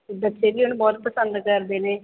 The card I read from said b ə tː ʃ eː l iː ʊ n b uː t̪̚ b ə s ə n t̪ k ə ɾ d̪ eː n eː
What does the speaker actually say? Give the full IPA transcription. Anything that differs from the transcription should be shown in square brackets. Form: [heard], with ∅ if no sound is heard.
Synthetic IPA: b ə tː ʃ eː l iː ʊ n b [ɔː] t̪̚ [p] ə s ə n [d̪] k ə ɾ d̪ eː n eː

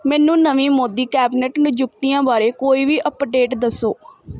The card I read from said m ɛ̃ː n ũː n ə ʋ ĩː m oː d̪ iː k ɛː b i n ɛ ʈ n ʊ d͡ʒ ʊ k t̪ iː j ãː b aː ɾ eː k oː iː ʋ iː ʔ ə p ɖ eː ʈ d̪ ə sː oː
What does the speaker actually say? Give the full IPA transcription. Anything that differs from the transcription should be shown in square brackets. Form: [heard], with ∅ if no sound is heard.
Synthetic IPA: m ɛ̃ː n ũː n ə ʋ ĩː m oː d̪ iː k ɛː b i n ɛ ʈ n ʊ d͡ʒ ʊ k t̪ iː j ãː b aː ɾ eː k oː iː ʋ iː ʔ ə p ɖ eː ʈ d̪ ə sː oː

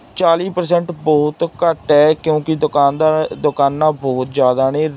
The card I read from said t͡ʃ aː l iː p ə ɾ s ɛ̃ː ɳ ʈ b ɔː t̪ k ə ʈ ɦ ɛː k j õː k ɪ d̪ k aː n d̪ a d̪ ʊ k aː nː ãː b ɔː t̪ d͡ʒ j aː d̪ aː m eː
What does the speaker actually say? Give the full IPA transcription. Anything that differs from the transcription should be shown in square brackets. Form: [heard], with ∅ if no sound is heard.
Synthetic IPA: t͡ʃ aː l iː p ə ɾ s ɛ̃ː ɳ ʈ b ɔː t̪ k ə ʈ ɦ ɛː k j õː k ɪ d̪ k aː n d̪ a d̪ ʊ k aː nː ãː b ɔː t̪ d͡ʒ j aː d̪ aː [n] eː

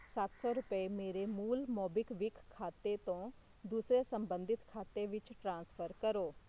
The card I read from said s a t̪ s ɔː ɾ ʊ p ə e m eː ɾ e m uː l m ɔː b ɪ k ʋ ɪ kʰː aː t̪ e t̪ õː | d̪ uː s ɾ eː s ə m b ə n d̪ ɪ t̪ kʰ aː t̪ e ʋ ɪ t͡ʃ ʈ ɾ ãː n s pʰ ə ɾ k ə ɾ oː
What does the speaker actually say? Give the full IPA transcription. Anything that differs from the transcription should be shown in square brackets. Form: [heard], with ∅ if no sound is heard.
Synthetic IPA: s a t̪ s ɔː ɾ ʊ p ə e m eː ɾ e m uː l m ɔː b ɪ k ʋ ɪ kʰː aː t̪ e t̪ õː | d̪ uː s ɾ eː s ə m b ə n d̪ ɪ t̪ kʰ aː t̪ e ʋ ɪ t͡ʃ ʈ ɾ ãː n s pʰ ə ɾ k ə ɾ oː

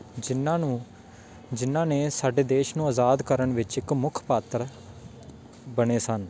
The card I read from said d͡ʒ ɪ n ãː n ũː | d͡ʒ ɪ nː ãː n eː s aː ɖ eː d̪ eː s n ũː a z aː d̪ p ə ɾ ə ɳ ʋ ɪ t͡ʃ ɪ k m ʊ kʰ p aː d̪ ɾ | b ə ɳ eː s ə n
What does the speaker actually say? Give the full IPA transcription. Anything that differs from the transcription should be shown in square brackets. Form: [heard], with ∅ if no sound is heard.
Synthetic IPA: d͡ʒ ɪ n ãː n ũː | d͡ʒ ɪ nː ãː n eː s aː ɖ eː d̪ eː [ʃ] n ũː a z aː d̪ [k] ə ɾ ə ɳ ʋ ɪ t͡ʃ ɪ k m ʊ kʰ p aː [t̪] ɾ | b ə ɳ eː s ə n

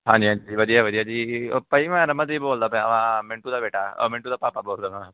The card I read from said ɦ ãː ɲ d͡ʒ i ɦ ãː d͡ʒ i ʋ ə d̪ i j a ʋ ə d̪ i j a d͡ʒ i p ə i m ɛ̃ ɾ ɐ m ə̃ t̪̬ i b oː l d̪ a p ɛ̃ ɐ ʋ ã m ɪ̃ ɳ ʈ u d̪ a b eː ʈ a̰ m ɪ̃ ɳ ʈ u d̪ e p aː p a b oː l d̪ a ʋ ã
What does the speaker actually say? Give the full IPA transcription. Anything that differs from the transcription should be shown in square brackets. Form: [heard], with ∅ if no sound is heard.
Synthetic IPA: ɦ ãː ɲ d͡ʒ i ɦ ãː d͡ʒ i ʋ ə d̪ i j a ʋ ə d̪ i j a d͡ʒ i p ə i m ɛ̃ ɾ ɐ m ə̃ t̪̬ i b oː l d̪ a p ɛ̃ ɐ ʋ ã m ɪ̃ ɳ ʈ u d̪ a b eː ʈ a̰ m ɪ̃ ɳ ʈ u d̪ [a] p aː p a b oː l d̪ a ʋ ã

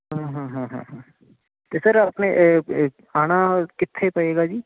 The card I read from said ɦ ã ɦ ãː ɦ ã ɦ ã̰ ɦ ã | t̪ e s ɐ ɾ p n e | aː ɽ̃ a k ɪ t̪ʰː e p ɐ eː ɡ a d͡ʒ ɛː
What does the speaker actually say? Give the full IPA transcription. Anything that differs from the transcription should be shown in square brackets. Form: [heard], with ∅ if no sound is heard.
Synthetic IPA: ɦ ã ɦ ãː ɦ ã ɦ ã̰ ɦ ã | t̪ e s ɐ ɾ p n e | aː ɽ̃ a k ɪ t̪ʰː e p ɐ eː ɡ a d͡ʒ [iː]

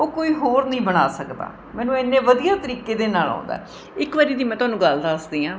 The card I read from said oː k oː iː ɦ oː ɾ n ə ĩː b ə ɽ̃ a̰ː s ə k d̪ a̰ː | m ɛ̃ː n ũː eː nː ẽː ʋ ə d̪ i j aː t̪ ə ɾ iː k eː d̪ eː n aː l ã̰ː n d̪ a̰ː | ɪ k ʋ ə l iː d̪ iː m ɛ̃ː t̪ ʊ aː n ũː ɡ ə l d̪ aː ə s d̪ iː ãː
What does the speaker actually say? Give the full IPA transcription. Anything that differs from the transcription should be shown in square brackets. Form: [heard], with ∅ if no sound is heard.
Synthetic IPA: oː k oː iː ɦ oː ɾ n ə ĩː b ə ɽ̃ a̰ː s ə k d̪ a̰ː | m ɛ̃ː n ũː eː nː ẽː ʋ ə d̪ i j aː t̪ ə ɾ iː k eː d̪ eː n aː l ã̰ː n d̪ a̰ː | ɪ k ʋ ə [ɾ] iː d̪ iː m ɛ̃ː t̪ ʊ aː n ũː ɡ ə l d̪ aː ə s d̪ iː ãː

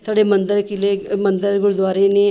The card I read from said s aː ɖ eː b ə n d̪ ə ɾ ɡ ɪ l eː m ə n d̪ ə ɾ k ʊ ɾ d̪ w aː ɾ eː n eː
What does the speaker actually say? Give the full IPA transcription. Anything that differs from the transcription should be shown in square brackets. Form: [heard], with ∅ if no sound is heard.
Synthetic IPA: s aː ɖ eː [m] ə n d̪ ə ɾ [k] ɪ l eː m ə n d̪ ə ɾ [ɡ] ʊ ɾ d̪ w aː ɾ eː n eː

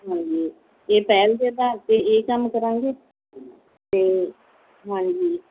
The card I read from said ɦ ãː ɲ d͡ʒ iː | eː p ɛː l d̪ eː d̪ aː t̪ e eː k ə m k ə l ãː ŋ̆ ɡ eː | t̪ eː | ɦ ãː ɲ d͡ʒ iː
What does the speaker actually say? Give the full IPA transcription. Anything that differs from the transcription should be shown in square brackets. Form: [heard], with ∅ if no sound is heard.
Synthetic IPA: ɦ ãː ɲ d͡ʒ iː | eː p ɛː l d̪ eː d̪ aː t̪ e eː k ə m k ə [ɾ] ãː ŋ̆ ɡ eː | t̪ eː | ɦ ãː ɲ d͡ʒ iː

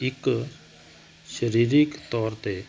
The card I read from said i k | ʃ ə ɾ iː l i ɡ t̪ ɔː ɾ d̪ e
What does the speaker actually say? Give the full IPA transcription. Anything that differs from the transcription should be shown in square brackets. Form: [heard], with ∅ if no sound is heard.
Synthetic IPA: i k | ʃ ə ɾ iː [ɾ] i [k] t̪ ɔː ɾ [t̪] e

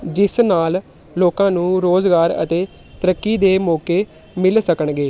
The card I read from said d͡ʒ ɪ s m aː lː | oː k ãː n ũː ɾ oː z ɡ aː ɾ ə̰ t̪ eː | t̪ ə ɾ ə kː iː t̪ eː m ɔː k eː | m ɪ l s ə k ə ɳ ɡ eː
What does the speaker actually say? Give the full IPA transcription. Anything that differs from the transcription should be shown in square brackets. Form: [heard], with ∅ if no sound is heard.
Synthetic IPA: d͡ʒ ɪ s [n] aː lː | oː k ãː n ũː ɾ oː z ɡ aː ɾ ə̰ t̪ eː | t̪ ə ɾ ə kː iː [d̪] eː m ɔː k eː | m ɪ l s ə k ə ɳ ɡ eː

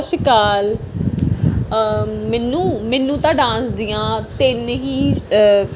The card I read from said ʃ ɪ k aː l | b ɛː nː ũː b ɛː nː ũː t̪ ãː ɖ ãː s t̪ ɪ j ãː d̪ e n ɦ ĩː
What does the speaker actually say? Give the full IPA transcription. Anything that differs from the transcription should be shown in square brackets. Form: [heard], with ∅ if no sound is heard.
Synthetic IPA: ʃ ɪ k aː l | [m] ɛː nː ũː [m] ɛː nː ũː t̪ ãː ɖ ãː s [d̪] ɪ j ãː [t̪] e n ɦ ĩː

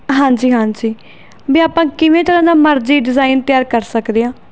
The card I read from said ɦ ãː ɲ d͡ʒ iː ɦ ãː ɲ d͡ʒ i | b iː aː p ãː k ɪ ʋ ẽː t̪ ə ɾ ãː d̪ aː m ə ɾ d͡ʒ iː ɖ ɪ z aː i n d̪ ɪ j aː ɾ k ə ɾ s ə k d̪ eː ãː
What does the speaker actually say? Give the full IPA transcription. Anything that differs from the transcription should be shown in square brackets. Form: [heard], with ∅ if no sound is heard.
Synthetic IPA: ɦ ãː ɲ d͡ʒ iː ɦ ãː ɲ d͡ʒ [iː] | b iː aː p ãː k ɪ ʋ ẽː t̪ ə ɾ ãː d̪ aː m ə ɾ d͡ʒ iː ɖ ɪ z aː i n [t̪] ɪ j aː ɾ k ə ɾ s ə k d̪ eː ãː

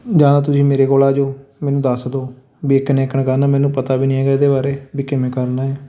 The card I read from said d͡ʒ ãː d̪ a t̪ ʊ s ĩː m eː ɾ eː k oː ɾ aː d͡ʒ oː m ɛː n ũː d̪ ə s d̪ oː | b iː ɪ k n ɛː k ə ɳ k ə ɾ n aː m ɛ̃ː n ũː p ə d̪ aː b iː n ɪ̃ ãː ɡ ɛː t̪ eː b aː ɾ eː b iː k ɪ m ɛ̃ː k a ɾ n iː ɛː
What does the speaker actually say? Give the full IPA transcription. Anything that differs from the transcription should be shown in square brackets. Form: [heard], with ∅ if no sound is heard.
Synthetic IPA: d͡ʒ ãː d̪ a t̪ ʊ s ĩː m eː ɾ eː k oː [l] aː d͡ʒ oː m ɛː n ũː d̪ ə s d̪ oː | b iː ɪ k n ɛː k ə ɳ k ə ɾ n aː m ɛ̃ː n ũː p ə [t̪] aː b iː n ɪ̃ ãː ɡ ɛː [d̪] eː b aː ɾ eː b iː k ɪ m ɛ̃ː k [ə] ɾ n [aː] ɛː

